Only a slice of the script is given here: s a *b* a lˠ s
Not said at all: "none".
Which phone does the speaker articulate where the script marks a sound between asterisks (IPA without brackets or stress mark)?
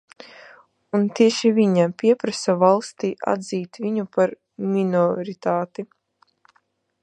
v